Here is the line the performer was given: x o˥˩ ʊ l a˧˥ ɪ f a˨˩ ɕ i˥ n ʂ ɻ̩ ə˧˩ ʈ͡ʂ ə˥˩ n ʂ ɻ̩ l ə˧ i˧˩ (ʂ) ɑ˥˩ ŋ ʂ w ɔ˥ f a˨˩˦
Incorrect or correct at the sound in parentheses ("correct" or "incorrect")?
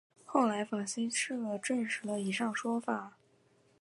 correct